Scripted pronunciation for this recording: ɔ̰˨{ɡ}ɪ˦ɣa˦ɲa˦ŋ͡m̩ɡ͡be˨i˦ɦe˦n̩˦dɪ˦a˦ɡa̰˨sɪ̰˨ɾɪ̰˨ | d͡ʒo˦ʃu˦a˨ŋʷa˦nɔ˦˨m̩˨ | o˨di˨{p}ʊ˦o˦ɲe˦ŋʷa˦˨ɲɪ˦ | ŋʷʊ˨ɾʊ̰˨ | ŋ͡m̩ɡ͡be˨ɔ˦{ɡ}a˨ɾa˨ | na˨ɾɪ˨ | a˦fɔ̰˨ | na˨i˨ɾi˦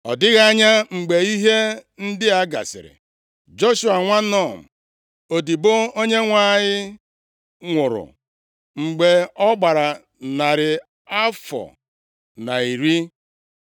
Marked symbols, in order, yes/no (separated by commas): no, no, no